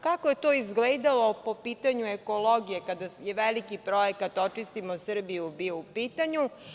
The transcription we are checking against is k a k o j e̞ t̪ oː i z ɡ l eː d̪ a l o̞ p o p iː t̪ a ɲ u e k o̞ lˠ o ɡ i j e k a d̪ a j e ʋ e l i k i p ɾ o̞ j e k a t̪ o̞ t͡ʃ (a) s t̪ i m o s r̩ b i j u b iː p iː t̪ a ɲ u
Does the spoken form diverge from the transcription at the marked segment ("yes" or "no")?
yes